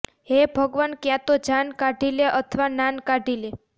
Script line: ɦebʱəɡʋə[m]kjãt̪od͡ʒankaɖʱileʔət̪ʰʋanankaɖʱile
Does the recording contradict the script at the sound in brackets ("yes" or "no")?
yes